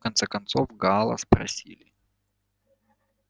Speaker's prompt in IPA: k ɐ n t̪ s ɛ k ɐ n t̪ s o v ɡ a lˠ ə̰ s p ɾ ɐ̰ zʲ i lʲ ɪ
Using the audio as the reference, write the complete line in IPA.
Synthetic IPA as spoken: k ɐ n t̪ s ɛ k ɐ n t̪ s o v ɡ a lˠ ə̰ s p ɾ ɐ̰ sʲ i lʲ ɪ